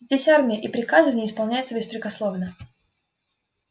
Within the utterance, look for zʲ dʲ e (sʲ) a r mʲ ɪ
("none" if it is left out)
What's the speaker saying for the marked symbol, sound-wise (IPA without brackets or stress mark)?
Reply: sʲ